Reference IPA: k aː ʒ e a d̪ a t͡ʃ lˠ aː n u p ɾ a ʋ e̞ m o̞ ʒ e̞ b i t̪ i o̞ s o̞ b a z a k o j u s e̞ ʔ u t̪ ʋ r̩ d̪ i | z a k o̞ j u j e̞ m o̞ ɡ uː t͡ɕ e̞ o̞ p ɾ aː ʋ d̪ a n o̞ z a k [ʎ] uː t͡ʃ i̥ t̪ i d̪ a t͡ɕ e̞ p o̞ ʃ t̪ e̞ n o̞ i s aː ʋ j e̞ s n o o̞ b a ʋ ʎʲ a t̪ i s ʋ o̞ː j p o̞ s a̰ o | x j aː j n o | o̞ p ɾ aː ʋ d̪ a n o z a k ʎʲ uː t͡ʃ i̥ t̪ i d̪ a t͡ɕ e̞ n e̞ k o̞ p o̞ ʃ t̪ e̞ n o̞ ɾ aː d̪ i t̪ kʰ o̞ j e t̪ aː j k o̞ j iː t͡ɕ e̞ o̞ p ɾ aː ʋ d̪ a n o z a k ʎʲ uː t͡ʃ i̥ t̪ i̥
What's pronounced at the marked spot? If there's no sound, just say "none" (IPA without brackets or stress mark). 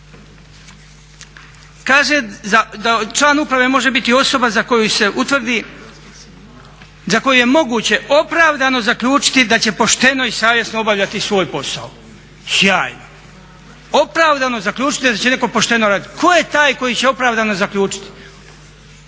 ʎ